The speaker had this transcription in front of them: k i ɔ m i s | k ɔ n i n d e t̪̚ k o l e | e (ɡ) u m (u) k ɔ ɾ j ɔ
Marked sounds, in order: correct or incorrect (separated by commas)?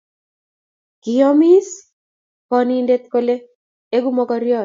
correct, incorrect